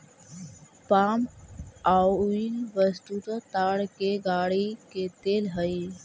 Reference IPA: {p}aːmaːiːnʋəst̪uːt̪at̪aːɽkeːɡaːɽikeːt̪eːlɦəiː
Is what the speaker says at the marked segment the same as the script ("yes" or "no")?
yes